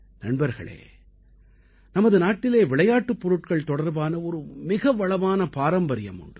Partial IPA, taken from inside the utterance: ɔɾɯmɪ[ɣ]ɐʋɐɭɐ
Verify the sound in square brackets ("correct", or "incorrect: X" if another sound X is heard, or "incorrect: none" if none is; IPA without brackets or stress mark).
correct